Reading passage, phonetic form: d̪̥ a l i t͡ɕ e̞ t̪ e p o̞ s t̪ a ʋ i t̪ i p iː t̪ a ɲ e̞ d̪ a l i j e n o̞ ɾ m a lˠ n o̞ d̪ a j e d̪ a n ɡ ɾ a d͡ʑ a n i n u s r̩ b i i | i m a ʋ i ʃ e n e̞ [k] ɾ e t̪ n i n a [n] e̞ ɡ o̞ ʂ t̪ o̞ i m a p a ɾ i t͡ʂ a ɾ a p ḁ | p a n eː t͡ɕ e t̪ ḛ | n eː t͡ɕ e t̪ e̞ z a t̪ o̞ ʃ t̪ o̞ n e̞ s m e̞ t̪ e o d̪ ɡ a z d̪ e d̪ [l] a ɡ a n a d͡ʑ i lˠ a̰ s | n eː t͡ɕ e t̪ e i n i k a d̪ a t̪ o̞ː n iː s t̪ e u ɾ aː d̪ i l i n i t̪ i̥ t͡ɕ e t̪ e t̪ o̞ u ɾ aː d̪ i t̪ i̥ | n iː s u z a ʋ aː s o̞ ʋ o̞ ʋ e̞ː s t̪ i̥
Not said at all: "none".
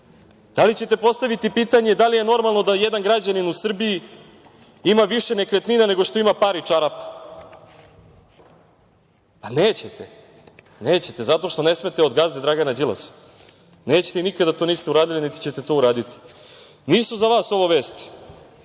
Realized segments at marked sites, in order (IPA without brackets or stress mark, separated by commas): k, n, ɾ